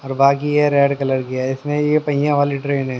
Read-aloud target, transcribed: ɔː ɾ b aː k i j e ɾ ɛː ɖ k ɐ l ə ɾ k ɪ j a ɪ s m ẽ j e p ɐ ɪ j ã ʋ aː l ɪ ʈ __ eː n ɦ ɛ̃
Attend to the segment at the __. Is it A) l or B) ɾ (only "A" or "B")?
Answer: B